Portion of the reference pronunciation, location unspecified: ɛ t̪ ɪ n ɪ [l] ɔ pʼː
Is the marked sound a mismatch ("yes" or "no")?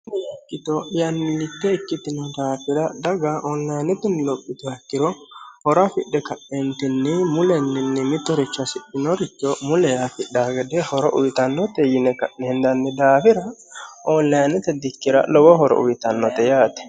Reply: no